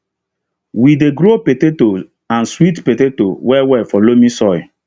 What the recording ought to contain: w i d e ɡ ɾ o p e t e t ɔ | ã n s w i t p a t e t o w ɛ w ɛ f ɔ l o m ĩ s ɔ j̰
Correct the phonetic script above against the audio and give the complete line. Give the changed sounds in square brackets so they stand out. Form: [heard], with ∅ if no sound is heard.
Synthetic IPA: w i d e ɡ ɾ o p e t e t [o] | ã n s w i t p [e] t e t o w ɛ w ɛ f ɔ l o m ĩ s ɔ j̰